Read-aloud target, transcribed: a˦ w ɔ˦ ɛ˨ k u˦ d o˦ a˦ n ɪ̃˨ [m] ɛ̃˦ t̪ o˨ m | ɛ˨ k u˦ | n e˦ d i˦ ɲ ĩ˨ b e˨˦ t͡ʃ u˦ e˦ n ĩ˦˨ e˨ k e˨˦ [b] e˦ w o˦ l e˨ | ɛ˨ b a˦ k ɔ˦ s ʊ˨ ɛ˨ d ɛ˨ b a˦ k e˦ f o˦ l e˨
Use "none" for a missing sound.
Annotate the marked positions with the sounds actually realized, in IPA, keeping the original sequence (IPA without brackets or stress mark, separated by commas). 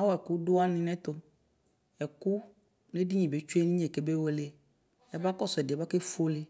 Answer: n, b